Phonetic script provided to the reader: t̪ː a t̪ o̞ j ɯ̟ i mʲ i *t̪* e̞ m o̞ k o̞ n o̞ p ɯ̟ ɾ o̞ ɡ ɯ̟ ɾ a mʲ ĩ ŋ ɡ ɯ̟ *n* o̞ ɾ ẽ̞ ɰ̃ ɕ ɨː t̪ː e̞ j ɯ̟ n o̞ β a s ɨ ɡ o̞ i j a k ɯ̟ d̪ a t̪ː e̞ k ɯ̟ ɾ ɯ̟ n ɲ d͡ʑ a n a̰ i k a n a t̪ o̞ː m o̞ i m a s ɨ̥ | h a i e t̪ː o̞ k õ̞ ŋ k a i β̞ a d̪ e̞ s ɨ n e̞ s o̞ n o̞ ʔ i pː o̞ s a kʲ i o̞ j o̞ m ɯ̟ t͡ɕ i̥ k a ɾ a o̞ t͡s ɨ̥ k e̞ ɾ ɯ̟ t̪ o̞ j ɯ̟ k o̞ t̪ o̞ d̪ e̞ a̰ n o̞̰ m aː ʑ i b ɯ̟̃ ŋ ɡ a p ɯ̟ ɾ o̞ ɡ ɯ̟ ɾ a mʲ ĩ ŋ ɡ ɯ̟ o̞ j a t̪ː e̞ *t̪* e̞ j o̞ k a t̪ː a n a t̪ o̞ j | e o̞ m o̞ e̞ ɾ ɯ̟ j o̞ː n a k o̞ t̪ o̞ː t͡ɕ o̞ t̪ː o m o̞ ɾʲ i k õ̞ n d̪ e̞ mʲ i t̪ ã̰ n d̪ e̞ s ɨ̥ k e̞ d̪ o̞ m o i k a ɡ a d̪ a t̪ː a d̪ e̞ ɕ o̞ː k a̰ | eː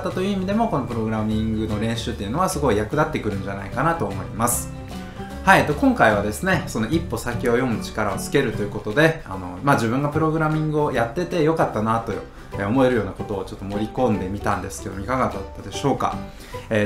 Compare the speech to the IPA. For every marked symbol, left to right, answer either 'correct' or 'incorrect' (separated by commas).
incorrect, correct, correct